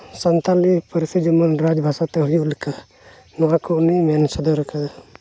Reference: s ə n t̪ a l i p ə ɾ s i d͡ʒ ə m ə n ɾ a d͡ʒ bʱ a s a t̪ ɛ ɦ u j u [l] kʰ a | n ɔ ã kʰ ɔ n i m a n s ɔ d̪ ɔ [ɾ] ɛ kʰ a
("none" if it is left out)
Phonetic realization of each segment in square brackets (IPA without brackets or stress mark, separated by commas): l, ɾ